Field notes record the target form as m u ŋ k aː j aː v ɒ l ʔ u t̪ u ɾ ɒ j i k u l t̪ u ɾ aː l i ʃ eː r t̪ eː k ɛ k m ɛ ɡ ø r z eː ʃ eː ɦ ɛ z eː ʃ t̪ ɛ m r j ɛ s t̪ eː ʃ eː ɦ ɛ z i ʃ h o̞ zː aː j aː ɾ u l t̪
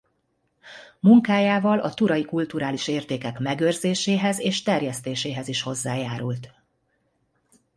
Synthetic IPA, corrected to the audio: m u ŋ k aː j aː v ɒ l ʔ ɒ t̪ u ɾ ɒ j i k u l t̪ u ɾ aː l i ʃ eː r t̪ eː k ɛ k m ɛ ɡ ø r z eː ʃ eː ɦ ɛ z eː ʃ t̪ ɛ r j ɛ s t̪ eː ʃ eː ɦ ɛ z i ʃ h o̞ zː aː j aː ɾ u l t̪